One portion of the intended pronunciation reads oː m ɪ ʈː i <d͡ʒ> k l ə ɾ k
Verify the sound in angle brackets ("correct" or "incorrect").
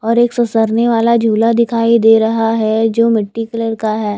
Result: incorrect